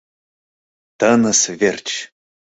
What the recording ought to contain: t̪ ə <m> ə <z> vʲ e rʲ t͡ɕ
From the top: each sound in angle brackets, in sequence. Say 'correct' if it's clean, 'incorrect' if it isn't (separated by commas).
incorrect, incorrect